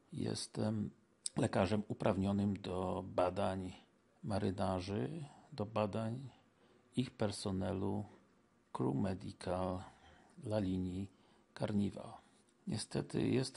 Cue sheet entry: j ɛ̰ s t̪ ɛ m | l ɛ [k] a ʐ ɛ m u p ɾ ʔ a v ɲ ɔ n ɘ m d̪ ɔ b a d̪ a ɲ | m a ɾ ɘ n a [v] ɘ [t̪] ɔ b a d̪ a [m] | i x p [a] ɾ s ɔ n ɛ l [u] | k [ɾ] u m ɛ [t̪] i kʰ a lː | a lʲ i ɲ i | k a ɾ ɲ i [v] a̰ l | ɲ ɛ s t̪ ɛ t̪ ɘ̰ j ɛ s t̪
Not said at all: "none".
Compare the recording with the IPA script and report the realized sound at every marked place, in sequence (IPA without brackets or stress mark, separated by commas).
k, ʐ, d̪, ɲ, ɛ, u, ɾ, d̪, v